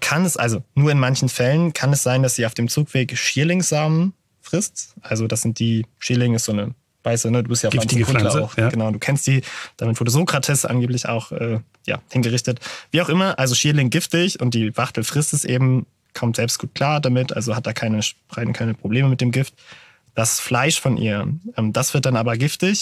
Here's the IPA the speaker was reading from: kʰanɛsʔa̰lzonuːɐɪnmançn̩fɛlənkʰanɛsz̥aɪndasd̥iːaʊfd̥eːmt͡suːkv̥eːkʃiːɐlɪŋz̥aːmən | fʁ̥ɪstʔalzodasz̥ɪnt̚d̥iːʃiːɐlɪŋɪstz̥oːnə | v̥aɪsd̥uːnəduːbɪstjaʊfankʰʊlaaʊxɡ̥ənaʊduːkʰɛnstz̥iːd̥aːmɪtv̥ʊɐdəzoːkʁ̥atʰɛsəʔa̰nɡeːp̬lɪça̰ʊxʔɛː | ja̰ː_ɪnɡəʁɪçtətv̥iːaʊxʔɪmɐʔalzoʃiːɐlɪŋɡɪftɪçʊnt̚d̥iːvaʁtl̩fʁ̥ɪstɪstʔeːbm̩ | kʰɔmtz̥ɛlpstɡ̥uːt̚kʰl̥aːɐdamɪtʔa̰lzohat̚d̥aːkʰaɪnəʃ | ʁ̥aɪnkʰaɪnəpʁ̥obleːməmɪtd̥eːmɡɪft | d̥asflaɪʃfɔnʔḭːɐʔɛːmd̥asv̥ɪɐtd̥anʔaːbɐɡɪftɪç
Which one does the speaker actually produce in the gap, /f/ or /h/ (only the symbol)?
h